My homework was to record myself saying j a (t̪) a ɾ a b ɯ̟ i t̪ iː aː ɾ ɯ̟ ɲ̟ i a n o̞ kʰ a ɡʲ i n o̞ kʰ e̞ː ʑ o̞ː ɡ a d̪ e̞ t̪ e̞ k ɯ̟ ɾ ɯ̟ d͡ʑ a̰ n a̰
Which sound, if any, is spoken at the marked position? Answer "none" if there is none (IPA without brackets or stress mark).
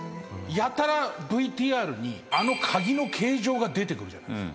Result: t̪